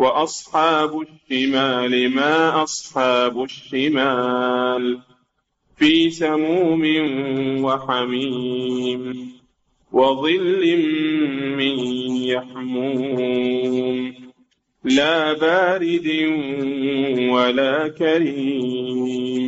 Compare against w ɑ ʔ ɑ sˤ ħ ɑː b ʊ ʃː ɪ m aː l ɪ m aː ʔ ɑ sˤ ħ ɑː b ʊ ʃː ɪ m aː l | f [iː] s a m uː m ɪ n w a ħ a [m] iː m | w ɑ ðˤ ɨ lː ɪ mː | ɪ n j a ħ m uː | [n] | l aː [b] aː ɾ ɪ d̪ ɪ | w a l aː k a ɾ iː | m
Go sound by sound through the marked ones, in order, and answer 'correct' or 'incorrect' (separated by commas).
correct, correct, incorrect, correct